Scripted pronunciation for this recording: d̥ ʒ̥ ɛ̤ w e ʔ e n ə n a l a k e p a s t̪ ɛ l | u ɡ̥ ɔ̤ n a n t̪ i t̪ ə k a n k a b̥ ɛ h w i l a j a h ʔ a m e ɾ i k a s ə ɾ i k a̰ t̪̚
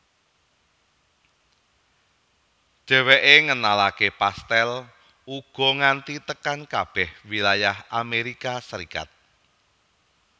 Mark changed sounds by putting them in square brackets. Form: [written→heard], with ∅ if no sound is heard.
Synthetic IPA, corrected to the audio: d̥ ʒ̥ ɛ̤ w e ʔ e [n→ŋ] ə n a l a k e p a s t̪ ɛ l | u ɡ̥ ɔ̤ [n→ŋ] a n t̪ i t̪ ə k a n k a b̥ ɛ h w i l a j a h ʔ a m e ɾ i k a s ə ɾ i k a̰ t̪̚